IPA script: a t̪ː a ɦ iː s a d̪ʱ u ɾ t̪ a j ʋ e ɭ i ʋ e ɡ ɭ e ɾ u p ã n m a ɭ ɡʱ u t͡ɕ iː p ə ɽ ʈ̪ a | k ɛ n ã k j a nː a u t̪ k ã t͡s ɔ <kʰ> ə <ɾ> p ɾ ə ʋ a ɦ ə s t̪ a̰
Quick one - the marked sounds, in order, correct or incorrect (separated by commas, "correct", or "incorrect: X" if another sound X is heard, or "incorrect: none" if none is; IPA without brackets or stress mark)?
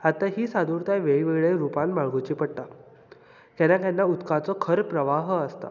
correct, correct